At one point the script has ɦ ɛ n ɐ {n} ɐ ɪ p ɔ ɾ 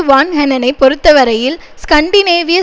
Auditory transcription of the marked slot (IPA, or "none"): n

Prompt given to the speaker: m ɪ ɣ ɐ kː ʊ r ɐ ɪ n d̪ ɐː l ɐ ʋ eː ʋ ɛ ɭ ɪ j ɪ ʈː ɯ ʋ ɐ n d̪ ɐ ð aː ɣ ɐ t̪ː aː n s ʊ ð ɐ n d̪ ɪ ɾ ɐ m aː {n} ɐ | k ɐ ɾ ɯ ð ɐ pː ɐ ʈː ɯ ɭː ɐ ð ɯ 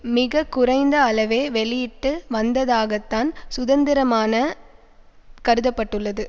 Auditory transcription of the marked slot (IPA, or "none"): n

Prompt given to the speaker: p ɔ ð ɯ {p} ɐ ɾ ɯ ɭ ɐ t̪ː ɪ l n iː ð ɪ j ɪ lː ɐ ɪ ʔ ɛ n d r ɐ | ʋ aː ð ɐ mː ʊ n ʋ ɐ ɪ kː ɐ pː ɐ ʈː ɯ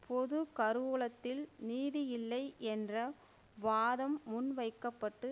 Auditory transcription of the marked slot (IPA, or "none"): k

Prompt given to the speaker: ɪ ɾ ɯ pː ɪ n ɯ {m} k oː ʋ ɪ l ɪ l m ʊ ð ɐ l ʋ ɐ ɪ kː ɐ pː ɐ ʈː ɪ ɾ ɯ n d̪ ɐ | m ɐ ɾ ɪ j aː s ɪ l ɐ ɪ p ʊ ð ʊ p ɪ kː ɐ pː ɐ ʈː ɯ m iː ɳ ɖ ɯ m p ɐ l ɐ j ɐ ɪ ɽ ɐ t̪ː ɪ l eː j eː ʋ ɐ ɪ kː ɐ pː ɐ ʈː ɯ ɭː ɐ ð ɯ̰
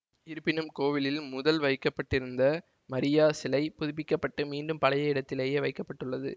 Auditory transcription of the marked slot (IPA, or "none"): m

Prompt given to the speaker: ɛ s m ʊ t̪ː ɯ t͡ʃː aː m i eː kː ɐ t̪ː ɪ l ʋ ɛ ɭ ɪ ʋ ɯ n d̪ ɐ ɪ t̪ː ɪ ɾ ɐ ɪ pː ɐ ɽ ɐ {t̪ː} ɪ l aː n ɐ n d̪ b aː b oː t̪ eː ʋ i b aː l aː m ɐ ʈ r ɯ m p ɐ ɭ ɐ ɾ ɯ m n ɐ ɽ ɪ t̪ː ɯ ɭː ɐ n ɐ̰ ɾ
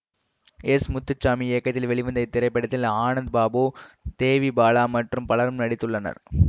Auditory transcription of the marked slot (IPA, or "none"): t̪ː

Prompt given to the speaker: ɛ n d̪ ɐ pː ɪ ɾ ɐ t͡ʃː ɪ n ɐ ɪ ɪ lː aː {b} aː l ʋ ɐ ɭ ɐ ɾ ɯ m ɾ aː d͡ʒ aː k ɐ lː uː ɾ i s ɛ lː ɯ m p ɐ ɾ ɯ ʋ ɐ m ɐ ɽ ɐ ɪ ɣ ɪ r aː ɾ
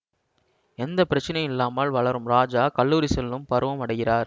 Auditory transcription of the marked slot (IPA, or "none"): m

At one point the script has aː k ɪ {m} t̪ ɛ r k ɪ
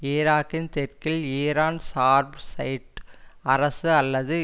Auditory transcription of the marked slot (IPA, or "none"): n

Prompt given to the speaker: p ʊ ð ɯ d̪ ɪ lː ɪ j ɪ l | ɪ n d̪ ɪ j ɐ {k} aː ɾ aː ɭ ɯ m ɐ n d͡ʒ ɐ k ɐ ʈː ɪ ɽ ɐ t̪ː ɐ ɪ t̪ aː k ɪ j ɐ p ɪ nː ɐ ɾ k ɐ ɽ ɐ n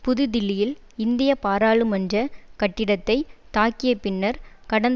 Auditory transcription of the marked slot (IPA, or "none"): p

